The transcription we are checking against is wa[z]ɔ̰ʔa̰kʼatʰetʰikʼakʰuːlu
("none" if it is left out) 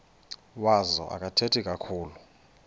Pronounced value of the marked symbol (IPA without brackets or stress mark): z